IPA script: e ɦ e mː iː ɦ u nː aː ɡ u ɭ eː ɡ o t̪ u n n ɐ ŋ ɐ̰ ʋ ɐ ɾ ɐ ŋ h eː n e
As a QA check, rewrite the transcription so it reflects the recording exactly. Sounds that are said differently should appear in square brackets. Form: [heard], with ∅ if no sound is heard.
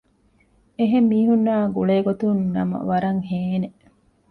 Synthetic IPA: e ɦ e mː iː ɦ u nː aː ɡ u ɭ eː ɡ o t̪ u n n ɐ [m] ɐ̰ ʋ ɐ ɾ ɐ ŋ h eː n e